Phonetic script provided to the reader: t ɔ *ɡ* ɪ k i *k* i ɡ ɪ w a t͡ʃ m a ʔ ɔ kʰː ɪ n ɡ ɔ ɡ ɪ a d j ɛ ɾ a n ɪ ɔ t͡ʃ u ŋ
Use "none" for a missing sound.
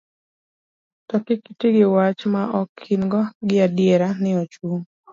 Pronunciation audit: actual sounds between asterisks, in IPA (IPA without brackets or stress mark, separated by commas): k, t